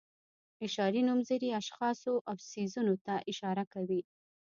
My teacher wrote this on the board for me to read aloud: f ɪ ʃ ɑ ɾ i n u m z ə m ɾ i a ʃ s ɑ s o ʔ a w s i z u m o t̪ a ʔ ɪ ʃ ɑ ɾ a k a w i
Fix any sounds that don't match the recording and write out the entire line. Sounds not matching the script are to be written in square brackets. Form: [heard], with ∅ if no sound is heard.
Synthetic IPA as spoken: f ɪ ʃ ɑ ɾ i n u m z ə [∅] ɾ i a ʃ [x] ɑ s o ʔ a w s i z u [n] o t̪ a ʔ ɪ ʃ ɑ ɾ a k a w i